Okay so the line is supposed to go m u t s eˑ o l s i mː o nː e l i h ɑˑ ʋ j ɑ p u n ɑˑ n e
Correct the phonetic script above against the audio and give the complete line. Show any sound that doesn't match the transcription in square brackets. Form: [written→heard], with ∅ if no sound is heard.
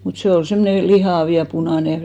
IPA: m u t s eˑ o l s [i→e] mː o [nː→n] e l i h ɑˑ ʋ j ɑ p u n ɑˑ n e